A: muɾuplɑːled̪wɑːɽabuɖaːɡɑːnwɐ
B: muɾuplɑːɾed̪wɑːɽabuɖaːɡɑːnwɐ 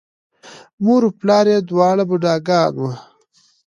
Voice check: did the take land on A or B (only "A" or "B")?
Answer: B